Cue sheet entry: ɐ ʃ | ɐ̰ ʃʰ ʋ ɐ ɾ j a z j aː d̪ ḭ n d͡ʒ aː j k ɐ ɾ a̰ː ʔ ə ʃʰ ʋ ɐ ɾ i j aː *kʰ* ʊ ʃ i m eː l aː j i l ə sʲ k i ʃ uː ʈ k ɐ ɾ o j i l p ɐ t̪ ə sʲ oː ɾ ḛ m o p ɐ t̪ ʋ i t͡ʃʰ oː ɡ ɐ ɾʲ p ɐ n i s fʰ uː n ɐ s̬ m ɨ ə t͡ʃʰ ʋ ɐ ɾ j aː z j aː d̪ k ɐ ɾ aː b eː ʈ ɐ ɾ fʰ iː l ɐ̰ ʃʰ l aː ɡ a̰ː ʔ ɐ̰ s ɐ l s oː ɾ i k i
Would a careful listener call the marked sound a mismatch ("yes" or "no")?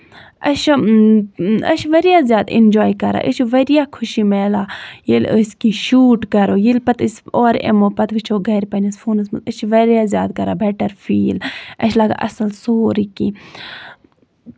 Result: no